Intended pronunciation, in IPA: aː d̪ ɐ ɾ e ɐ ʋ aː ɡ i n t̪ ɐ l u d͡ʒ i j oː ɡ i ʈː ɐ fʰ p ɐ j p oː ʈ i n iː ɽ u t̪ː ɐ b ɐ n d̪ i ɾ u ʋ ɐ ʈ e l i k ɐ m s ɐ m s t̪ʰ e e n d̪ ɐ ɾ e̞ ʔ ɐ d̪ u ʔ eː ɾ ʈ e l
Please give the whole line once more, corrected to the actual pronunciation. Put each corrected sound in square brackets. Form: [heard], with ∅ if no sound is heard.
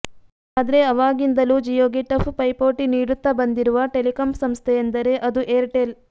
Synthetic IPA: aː d̪ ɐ ɾ e ɐ ʋ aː ɡ i n [d̪] ɐ l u d͡ʒ i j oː ɡ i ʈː ɐ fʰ p ɐ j p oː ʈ i n iː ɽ u t̪ː ɐ b ɐ n d̪ i ɾ u ʋ ɐ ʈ e l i k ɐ m s ɐ m s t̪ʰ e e n d̪ ɐ ɾ e̞ ʔ ɐ d̪ u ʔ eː ɾ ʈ e l

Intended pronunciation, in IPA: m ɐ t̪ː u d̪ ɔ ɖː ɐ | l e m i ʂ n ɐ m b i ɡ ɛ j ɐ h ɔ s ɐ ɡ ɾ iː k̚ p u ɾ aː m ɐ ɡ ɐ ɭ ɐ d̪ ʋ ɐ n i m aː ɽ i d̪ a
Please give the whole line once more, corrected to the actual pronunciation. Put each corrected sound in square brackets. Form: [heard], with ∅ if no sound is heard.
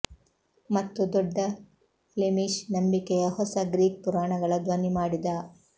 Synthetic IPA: m ɐ t̪ː u d̪ ɔ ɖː ɐ | l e m i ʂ n ɐ m b i [k] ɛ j ɐ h ɔ s ɐ ɡ ɾ iː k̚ p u ɾ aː [ɳ] ɐ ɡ ɐ ɭ ɐ d̪ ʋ ɐ n i m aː ɽ i d̪ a

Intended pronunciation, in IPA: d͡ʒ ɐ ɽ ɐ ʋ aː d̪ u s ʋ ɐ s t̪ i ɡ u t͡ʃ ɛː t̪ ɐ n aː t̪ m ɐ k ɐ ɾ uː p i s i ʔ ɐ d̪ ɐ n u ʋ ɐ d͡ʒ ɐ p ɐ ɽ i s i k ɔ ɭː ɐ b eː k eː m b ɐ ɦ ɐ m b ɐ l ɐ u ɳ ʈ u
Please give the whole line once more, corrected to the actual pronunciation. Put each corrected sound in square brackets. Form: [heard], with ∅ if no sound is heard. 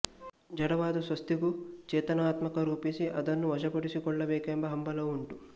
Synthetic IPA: d͡ʒ ɐ ɽ ɐ ʋ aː d̪ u s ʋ ɐ s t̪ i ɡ u t͡ʃ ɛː t̪ ɐ n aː t̪ m ɐ k ɐ ɾ uː p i s i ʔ ɐ d̪ ɐ [nː] u ʋ ɐ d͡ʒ ɐ p ɐ ɽ i s i k ɔ ɭː ɐ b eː k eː m b ɐ ɦ ɐ m b ɐ l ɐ u ɳ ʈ u

